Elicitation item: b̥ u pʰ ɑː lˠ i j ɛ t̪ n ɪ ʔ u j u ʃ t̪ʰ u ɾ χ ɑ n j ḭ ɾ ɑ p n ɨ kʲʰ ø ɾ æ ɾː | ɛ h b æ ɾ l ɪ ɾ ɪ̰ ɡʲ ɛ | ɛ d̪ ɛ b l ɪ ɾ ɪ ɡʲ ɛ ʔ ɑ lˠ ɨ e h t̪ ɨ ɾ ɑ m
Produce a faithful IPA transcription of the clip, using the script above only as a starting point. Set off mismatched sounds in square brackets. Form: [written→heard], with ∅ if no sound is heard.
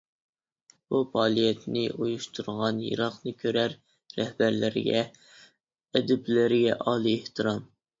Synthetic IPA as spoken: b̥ u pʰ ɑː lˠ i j ɛ t̪ n ɪ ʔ u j u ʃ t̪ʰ u ɾ [χ→ʁ] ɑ n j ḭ ɾ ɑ [p→q] n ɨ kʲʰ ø ɾ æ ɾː | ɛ h b æ ɾ l ɪ ɾ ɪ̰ ɡʲ ɛ | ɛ d̪ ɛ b l ɪ ɾ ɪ ɡʲ ɛ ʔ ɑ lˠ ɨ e h t̪ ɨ ɾ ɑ m